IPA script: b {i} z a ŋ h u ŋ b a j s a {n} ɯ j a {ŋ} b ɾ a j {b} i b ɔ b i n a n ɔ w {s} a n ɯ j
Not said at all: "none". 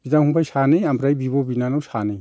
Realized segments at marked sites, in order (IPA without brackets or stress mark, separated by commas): i, n, m, b, s